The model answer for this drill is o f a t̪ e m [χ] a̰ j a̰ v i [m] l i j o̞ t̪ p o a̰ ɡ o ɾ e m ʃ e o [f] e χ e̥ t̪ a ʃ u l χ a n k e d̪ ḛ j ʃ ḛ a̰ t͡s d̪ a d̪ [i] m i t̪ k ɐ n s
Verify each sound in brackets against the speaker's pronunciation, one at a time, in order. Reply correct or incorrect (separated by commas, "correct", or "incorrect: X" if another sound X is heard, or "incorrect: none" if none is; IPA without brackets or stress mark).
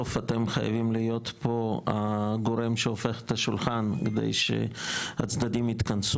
correct, correct, correct, correct